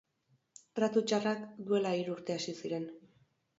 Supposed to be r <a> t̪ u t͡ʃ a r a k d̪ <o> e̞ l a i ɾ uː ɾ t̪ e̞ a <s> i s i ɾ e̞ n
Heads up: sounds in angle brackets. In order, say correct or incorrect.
correct, incorrect: u, correct

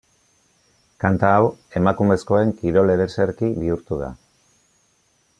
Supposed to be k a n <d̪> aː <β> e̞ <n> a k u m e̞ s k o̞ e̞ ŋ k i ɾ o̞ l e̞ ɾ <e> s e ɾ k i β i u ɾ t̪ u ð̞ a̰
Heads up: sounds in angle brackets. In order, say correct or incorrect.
incorrect: t̪, incorrect: w, incorrect: m, correct

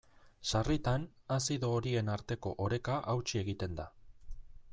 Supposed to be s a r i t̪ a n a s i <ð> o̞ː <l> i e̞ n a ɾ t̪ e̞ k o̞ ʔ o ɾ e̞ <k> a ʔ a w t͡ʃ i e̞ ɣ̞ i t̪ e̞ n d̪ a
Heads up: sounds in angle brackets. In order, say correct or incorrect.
correct, incorrect: ɾ, correct

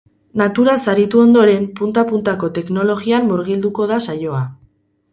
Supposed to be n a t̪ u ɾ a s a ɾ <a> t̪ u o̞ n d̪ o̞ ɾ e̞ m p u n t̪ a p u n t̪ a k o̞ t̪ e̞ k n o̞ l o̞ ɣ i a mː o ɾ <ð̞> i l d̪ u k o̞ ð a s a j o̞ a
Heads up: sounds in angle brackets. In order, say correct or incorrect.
incorrect: i, incorrect: ɣ̞

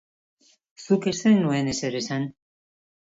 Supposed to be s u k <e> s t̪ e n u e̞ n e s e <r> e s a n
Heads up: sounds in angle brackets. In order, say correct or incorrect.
correct, incorrect: ɾ

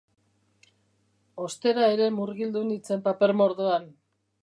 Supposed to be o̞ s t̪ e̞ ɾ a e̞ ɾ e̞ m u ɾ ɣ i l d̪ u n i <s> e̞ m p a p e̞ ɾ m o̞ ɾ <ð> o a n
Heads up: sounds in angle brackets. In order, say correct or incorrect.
incorrect: t͡s, correct

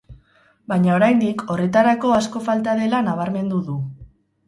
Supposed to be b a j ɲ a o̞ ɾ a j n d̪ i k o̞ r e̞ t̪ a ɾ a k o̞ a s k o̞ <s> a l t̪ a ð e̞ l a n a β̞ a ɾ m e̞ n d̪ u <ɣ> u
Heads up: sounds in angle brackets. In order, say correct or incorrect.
incorrect: f, incorrect: ð

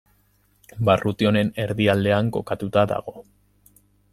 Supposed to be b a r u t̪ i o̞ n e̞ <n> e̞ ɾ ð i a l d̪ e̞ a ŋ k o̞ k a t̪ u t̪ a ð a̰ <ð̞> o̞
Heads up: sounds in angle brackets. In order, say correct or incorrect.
correct, incorrect: ɣ̞

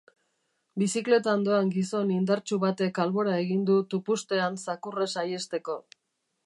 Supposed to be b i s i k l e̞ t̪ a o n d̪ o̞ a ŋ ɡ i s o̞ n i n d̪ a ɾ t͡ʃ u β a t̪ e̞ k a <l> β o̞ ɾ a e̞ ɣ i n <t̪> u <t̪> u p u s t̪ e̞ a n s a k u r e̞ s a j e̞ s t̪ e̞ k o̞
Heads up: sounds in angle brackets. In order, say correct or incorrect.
correct, incorrect: d̪, correct

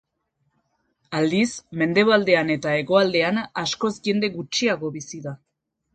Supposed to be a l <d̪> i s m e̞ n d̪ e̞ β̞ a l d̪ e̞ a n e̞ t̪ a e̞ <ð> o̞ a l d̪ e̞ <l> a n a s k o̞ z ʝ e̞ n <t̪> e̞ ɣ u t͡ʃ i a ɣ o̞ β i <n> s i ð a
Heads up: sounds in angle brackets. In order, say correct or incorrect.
correct, incorrect: ɣ, incorrect: none, incorrect: d̪, incorrect: none

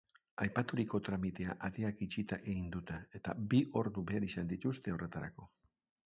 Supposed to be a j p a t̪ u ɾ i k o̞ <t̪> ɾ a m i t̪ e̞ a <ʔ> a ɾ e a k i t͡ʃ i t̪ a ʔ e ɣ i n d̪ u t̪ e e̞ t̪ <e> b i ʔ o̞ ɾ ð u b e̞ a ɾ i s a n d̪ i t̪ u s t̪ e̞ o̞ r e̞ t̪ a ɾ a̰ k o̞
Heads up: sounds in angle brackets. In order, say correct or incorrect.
correct, correct, incorrect: a

